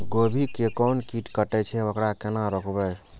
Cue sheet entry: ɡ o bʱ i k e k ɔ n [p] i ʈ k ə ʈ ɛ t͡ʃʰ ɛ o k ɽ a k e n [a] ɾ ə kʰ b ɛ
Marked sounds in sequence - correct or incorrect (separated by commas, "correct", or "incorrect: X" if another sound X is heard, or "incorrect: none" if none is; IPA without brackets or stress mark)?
incorrect: k, correct